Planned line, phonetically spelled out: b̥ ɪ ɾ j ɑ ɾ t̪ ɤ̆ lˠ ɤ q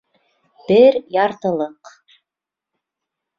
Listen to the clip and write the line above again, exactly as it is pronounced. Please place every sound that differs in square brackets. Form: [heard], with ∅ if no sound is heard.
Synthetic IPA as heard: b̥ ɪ ɾ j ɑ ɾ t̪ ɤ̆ lˠ ɤ q